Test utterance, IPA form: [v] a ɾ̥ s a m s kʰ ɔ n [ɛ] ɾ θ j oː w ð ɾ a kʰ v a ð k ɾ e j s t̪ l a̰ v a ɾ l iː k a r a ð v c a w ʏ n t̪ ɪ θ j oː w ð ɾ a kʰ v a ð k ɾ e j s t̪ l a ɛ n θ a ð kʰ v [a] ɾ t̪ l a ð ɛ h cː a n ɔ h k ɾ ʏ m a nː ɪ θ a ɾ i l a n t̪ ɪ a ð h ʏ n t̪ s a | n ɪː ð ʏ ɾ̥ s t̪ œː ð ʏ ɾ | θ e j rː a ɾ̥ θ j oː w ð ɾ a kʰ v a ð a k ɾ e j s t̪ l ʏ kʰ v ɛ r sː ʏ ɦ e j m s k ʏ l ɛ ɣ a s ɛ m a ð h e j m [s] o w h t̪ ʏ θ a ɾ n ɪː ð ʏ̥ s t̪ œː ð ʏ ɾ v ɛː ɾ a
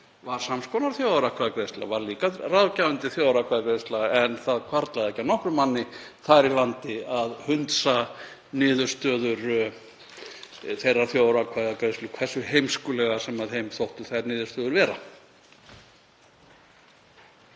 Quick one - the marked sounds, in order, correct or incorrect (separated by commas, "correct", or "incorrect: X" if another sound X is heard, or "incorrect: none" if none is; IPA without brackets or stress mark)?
correct, incorrect: a, correct, incorrect: θ